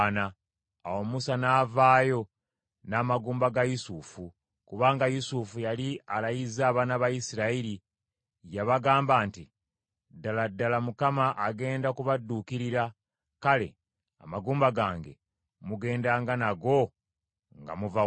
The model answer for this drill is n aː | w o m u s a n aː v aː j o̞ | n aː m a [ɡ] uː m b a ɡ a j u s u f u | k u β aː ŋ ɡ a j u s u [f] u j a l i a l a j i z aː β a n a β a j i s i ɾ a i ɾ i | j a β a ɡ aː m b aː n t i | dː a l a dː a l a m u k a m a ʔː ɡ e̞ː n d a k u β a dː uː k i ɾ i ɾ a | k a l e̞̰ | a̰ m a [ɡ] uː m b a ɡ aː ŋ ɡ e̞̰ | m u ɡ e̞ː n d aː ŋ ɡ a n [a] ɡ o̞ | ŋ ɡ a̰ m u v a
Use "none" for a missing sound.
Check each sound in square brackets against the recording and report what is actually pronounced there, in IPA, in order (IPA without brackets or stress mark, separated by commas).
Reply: ɡ, f, ɡ, a